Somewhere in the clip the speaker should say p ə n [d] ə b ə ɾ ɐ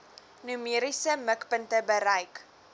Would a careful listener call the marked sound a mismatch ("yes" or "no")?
yes